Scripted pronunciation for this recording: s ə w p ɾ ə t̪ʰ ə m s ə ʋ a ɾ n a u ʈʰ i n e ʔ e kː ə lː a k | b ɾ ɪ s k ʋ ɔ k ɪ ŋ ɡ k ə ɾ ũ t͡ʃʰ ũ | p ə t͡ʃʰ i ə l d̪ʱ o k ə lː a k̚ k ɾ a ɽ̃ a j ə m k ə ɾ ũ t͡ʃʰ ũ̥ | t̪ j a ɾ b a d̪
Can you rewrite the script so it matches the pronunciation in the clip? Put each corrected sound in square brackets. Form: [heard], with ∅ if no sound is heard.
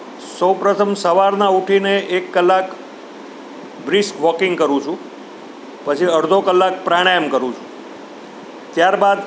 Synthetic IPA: s ə w p ɾ ə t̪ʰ ə m s ə ʋ a ɾ n a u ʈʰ i n e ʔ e kː ə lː a k | b ɾ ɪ s k ʋ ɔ k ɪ ŋ ɡ k ə ɾ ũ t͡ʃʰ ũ | p ə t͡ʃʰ i ə [ɾ] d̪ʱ o k ə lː a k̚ [p] ɾ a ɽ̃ a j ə m k ə ɾ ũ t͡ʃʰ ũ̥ | t̪ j a ɾ b a d̪